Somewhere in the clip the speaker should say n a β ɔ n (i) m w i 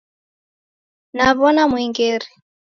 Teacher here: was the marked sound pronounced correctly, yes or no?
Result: no